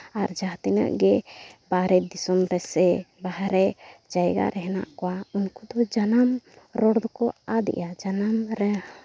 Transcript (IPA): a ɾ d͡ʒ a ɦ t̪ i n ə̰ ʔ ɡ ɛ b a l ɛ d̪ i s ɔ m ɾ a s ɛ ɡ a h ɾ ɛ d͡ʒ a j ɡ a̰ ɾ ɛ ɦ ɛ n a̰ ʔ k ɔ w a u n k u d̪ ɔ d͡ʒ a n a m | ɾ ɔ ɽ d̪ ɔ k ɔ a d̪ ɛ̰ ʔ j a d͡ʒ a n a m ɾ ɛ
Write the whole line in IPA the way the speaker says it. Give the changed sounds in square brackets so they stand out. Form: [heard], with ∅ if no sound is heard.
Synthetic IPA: a ɾ d͡ʒ a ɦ t̪ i n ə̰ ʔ ɡ ɛ b a [ɾ] ɛ d̪ i s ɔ m ɾ [ɛ] s ɛ [b] a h ɾ ɛ d͡ʒ a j ɡ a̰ ɾ ɛ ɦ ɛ n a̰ ʔ k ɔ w a u n k u d̪ ɔ d͡ʒ a n a m | ɾ ɔ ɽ d̪ ɔ k ɔ a d̪ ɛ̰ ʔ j a d͡ʒ a n a m ɾ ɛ